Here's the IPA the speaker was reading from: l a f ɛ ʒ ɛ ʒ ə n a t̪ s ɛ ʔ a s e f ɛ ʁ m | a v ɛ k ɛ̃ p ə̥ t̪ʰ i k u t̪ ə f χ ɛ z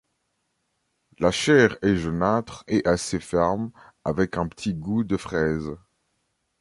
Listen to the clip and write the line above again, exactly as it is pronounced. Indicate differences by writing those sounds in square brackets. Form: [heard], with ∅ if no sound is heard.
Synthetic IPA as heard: l a [ʃ] ɛ [ʁ] ɛ ʒ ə n a t̪ [χ] ɛ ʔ a s e f ɛ ʁ m | a v ɛ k ɛ̃ p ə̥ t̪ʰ i [ɡ] u [d̪] ə f χ ɛ z